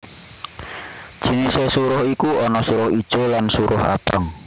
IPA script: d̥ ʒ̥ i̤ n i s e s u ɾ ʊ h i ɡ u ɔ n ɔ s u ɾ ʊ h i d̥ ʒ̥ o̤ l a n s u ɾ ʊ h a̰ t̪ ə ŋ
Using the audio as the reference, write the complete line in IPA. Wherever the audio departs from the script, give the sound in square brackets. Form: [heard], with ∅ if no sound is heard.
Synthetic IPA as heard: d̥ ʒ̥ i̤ n i s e s u ɾ ʊ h i [k] u ɔ n ɔ s u ɾ ʊ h i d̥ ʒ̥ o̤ l a n s u ɾ ʊ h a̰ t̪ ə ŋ